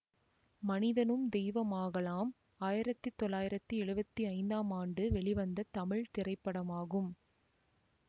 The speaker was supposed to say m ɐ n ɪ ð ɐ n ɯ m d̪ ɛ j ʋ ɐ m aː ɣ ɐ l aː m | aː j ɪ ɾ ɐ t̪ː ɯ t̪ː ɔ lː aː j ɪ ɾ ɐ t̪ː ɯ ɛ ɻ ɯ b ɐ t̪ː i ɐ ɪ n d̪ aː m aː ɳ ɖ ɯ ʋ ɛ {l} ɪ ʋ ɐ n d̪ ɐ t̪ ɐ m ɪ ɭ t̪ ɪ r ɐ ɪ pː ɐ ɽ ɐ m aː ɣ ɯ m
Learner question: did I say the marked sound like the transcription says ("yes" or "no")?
no